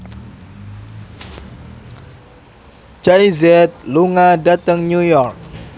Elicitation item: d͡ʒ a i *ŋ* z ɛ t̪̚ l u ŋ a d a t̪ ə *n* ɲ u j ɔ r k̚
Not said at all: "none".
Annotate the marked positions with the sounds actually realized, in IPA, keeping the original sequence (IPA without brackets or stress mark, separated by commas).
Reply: none, ŋ